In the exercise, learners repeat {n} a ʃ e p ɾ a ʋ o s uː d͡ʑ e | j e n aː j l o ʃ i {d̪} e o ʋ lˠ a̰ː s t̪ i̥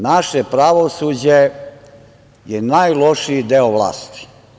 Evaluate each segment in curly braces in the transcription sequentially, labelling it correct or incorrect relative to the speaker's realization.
correct, correct

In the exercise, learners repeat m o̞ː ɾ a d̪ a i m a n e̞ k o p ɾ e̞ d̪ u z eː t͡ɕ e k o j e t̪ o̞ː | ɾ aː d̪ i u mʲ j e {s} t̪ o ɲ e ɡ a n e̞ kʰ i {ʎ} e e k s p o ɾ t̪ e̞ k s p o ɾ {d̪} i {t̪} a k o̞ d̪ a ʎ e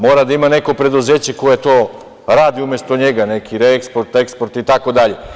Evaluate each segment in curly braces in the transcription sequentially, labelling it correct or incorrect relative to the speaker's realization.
correct, incorrect, incorrect, correct

